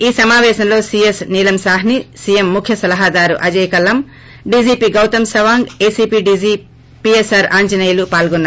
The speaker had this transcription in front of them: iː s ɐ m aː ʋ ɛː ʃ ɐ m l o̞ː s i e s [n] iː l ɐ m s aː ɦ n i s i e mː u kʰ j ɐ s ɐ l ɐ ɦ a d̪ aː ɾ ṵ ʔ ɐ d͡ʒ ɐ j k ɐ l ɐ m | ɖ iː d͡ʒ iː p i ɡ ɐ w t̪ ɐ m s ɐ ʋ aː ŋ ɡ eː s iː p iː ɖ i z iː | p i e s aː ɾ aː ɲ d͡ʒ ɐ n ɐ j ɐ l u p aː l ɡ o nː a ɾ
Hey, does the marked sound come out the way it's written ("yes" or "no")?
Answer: yes